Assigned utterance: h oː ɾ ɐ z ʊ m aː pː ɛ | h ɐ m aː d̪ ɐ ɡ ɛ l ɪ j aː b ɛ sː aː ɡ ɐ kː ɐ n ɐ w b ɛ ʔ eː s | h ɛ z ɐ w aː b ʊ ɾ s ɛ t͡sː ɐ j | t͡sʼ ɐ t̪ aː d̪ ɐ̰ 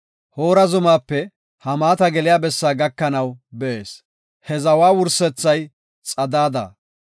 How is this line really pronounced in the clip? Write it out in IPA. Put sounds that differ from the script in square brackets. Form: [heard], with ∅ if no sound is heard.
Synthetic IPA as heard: h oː ɾ ɐ z ʊ m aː pː ɛ | h ɐ m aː [t̪] ɐ ɡ ɛ l ɪ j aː b ɛ sː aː ɡ ɐ kː ɐ n ɐ w b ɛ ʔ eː s | h ɛ z ɐ w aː [w] ʊ ɾ s ɛ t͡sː ɐ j | t͡sʼ ɐ [d̪] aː d̪ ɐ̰